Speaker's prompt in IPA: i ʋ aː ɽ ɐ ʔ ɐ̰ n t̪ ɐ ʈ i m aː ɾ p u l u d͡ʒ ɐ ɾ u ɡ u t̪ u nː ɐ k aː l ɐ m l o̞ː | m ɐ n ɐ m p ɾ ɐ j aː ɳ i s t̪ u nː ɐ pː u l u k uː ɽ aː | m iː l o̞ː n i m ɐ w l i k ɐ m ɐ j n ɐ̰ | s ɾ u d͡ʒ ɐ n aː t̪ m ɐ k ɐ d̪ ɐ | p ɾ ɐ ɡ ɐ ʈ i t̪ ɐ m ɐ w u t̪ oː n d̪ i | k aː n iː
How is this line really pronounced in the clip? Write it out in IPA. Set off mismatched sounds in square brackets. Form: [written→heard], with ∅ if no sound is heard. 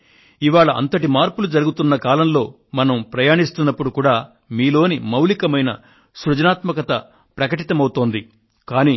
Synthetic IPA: i ʋ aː [ɽ→ɭ] ɐ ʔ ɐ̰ n t̪ ɐ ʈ i m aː ɾ p u l u d͡ʒ ɐ ɾ u ɡ u t̪ u nː ɐ k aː l ɐ m l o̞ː | m ɐ n ɐ m p ɾ ɐ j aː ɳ i s t̪ u nː ɐ pː u [l→ɽ] u k uː ɽ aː | m iː l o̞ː n i m ɐ w l i k ɐ m ɐ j n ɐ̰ | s ɾ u d͡ʒ ɐ n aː t̪ m ɐ k ɐ [d̪→t̪] ɐ | p ɾ ɐ [ɡ→k] ɐ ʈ i t̪ ɐ m ɐ w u t̪ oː n d̪ i | k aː n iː